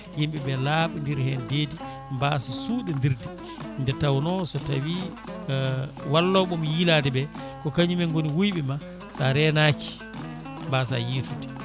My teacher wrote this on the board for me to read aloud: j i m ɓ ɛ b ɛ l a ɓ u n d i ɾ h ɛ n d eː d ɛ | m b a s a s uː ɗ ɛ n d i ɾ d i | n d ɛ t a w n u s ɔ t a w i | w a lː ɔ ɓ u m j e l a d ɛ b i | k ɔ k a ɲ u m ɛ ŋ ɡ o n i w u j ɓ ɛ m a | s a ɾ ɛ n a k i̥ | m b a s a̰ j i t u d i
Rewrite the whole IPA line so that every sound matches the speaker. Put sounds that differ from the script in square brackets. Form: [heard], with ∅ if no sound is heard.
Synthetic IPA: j i m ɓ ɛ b ɛ l a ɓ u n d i ɾ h ɛ n d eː d [i] | m b a s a s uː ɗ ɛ n d i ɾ d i | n d ɛ t a w n [ɔ] s ɔ t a w i | w a lː ɔ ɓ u m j [i] l a d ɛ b [ɛ] | k ɔ k a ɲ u m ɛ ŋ ɡ o n i w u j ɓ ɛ m a | s a ɾ ɛ n a k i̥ | m b a s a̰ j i t u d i